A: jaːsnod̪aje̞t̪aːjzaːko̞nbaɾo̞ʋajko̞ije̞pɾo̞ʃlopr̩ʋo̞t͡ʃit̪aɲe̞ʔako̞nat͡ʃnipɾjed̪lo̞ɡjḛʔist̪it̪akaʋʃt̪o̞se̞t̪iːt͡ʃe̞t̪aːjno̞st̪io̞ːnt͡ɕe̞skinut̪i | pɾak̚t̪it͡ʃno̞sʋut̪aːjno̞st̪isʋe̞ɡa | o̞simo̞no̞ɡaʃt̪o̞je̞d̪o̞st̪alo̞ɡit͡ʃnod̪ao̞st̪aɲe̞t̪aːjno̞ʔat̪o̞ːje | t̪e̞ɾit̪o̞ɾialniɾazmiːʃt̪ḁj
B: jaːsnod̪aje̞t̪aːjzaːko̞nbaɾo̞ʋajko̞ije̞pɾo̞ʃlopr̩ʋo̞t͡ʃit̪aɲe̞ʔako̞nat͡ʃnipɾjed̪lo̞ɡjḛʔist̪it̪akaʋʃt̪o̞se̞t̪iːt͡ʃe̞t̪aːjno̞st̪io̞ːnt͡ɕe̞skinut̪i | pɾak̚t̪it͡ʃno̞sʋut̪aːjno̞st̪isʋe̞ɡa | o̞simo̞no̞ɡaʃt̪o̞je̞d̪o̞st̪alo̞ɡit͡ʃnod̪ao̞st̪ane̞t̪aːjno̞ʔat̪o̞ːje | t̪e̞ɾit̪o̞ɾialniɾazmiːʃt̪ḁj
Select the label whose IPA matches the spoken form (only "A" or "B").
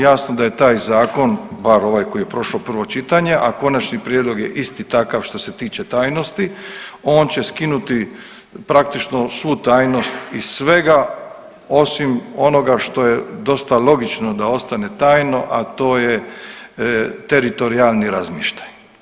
B